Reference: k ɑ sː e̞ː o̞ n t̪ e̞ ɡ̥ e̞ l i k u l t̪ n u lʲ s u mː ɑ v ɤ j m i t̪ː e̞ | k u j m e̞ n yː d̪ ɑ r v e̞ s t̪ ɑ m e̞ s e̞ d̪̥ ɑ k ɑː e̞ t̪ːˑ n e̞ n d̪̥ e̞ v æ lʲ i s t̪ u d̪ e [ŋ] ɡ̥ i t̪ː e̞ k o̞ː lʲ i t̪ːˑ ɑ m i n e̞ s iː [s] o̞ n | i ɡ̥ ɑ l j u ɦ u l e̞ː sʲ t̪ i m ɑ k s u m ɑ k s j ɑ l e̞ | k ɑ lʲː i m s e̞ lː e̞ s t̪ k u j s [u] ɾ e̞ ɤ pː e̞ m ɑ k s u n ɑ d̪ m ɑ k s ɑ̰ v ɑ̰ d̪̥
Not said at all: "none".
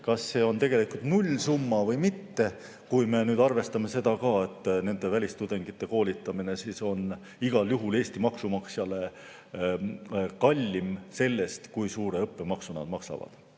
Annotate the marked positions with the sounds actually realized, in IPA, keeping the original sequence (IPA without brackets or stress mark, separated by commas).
ŋ, s, uː